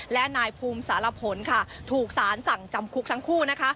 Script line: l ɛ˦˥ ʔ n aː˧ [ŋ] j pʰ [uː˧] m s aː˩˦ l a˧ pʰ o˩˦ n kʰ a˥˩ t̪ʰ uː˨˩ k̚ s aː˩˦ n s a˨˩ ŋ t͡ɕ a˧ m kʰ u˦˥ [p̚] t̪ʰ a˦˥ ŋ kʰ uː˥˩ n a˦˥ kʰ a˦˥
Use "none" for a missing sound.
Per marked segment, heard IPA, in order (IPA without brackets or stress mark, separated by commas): none, uː˧, k̚